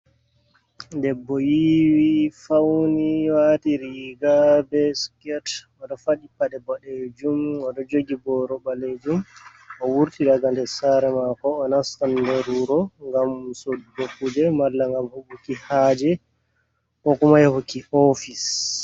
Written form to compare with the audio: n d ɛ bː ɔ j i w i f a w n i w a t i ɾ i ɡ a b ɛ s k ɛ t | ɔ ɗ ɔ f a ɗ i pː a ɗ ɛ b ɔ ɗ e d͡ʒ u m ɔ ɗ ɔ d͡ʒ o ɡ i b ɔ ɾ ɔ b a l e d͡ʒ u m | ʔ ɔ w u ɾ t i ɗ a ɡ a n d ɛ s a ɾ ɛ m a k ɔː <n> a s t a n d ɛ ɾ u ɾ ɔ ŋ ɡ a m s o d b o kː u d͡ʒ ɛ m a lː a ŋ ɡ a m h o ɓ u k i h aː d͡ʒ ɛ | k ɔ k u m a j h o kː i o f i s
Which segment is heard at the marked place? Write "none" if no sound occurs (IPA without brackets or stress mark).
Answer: n